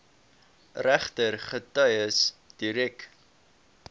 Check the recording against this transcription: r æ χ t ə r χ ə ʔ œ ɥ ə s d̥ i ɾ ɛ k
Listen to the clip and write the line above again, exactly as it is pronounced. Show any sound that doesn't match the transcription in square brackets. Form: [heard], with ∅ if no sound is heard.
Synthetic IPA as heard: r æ χ t ə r χ ə [t] œ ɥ ə s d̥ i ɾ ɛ k